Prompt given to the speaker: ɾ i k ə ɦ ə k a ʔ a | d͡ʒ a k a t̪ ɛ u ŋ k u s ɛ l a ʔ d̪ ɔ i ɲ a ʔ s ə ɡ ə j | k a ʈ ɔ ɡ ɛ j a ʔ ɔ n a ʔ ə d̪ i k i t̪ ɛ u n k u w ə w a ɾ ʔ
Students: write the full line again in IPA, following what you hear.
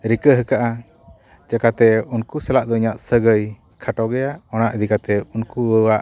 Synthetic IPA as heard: ɾ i k ə ɦ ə k a ʔ a | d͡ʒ a k a t̪ ɛ u n k u s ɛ l a ʔ d̪ ɔ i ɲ a ʔ s ə ɡ ə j | kʰ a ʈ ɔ ɡ ɛ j a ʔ ɔ n a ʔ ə d̪ i k a t̪ ɛ u n k u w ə w a ʔ